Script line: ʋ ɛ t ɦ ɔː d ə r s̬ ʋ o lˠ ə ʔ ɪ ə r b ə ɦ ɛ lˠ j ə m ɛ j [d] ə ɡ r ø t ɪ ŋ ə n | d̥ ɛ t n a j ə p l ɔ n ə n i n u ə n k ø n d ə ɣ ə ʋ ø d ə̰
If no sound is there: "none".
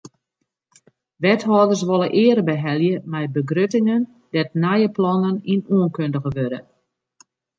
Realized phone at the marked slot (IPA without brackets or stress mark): b